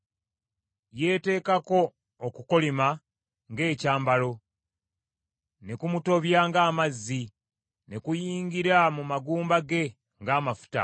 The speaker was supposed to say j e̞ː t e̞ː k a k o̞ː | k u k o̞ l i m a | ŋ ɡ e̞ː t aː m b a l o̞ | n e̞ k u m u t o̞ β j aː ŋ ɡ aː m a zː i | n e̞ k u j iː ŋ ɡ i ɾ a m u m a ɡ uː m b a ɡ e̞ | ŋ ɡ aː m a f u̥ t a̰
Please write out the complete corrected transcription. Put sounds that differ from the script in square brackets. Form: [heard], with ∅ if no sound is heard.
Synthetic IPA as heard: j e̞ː t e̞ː k a k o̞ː | k u k o̞ l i m a | ŋ ɡ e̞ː [c] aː m b a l o̞ | n e̞ k u m u t o̞ β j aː ŋ ɡ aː m a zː i | n e̞ k u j iː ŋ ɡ i ɾ a m u m a ɡ uː m b a ɡ e̞ | ŋ ɡ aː m a f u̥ t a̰